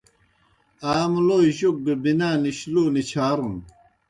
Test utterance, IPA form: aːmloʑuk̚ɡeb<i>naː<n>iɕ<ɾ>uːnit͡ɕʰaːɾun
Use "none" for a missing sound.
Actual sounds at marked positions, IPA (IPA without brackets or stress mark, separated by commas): i, n, l